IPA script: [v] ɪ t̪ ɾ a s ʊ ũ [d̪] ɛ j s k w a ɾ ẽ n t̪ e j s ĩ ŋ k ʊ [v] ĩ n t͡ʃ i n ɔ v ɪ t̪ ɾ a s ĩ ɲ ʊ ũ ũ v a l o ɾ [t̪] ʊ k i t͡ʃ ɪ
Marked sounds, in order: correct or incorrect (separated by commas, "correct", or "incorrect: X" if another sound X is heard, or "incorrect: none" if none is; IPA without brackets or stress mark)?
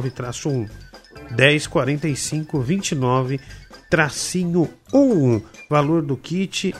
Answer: correct, correct, correct, incorrect: d̪